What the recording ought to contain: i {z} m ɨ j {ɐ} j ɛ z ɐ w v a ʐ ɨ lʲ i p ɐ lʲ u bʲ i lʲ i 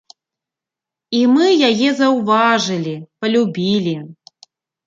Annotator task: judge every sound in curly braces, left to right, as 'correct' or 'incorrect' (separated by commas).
incorrect, incorrect